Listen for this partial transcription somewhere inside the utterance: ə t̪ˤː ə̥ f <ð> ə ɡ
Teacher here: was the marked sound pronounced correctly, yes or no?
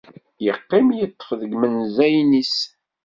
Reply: yes